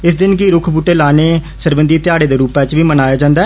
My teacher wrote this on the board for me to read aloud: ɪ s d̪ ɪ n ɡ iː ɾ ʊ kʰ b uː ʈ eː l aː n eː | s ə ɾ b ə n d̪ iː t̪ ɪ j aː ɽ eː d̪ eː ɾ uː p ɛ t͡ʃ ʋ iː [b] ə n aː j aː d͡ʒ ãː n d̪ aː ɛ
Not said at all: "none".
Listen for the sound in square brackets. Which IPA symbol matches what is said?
m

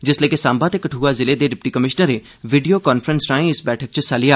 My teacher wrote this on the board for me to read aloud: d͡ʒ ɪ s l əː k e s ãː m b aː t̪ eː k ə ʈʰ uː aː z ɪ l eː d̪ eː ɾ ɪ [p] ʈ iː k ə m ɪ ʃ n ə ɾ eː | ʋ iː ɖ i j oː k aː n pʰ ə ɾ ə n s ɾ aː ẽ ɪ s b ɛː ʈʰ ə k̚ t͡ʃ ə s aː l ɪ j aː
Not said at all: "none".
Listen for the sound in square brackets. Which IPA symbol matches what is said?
p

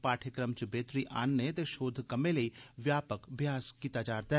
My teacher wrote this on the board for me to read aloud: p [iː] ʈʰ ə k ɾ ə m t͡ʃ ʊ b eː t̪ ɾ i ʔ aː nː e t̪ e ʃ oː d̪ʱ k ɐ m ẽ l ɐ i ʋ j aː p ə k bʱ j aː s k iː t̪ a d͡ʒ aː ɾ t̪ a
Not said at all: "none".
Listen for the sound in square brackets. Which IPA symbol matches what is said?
aː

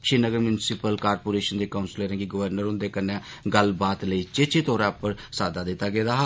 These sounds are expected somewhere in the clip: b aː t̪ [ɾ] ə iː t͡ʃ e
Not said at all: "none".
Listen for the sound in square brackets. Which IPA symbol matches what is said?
l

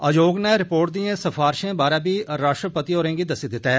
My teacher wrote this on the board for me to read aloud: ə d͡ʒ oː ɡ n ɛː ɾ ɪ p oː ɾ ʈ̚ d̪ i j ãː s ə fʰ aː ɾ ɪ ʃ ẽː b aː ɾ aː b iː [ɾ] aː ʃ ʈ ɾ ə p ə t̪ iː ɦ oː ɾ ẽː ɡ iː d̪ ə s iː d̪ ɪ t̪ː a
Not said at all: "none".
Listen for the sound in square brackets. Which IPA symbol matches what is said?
ɾ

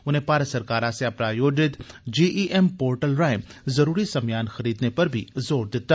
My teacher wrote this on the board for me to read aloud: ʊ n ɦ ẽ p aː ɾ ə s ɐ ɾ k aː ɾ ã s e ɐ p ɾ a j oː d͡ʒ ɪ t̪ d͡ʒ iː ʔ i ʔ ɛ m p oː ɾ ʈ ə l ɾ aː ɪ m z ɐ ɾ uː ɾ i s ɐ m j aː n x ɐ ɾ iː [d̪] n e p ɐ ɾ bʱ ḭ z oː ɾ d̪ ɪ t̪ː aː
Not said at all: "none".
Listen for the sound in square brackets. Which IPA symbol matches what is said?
d̪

